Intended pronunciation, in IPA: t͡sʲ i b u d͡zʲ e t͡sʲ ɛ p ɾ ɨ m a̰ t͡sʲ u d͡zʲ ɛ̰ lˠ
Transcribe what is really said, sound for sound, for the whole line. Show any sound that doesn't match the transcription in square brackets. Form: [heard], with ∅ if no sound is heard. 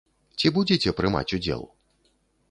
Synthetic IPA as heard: t͡sʲ i b u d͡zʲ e t͡sʲ ɛ p ɾ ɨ m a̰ t͡sʲ u d͡zʲ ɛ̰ lˠ